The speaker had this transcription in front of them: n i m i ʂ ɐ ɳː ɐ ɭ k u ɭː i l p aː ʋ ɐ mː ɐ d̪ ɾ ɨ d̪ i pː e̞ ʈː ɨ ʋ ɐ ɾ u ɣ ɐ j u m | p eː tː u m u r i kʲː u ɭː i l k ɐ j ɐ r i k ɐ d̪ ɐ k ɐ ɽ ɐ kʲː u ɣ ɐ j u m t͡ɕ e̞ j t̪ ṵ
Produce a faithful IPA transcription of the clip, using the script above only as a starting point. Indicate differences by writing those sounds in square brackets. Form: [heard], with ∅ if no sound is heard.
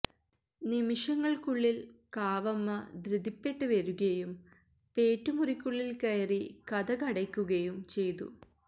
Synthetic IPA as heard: n i m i ʂ ɐ [ŋː] ɐ ɭ k u ɭː i l [k] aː ʋ ɐ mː ɐ d̪ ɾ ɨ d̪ i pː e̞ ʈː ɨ ʋ ɐ ɾ u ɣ ɐ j u m | p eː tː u m u r i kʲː u ɭː i l k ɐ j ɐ r i k ɐ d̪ ɐ k ɐ ɽ ɐ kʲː u ɣ ɐ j u m t͡ɕ e̞ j t̪ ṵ